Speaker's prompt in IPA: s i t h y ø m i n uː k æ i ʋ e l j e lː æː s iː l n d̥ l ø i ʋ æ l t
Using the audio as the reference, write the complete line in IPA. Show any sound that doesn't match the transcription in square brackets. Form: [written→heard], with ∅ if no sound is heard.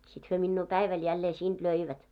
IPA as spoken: s i t h y ø m i [n→nː] uː [k→p] æ i ʋ [e→æ] l j [e→æ] lː [æː→eː] s iː [l→∅] n d̥ l ø i ʋ æ [l→∅] t